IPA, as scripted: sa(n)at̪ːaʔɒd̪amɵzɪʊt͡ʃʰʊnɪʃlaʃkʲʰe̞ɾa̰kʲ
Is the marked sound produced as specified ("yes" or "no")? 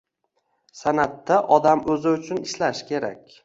yes